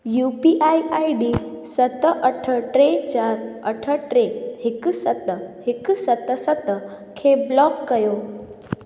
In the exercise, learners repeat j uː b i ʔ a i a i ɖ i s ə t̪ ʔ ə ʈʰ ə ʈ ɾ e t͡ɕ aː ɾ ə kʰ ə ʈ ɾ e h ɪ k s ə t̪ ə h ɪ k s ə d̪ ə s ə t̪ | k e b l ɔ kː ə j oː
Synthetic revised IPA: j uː p i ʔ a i a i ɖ i s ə t̪ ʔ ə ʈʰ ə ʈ ɾ e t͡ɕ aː ɾ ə ʈʰ ə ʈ ɾ e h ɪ k s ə t̪ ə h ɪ k s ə t̪ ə s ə t̪ | kʰ e b l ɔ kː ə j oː